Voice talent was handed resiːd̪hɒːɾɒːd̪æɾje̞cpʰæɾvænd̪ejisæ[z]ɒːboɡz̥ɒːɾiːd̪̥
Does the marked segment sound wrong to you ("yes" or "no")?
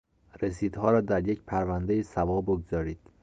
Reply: yes